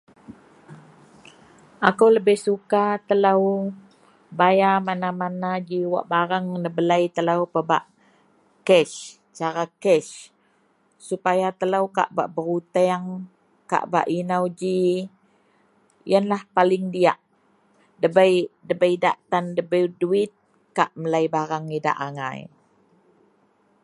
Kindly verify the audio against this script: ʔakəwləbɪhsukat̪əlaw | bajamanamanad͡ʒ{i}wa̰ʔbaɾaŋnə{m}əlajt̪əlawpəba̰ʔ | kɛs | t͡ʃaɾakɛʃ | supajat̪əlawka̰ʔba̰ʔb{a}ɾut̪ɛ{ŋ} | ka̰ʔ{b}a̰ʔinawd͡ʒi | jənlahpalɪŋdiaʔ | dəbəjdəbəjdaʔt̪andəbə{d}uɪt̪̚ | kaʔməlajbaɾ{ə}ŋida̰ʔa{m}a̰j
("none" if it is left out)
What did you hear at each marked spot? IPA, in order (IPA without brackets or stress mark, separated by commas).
i, b, ə, ŋ, b, d, a, ŋ